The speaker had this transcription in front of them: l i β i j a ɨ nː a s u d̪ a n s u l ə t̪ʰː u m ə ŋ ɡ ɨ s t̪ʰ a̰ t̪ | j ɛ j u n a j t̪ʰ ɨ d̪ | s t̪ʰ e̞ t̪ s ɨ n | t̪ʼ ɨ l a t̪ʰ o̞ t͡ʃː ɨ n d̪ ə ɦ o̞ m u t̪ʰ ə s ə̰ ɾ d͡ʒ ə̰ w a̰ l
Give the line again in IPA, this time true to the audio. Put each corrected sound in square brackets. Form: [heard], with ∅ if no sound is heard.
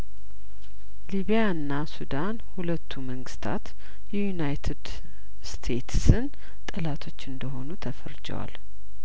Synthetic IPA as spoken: l i β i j a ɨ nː a s u d̪ a n [h] u l ə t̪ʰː u m ə ŋ ɡ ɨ s t̪ʰ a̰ t̪ | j ɛ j u n a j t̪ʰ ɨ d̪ | s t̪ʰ e̞ t̪ s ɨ n | t̪ʼ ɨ l a t̪ʰ o̞ t͡ʃː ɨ n d̪ ə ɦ o̞ [n] u t̪ʰ ə [f] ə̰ ɾ d͡ʒ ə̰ w a̰ l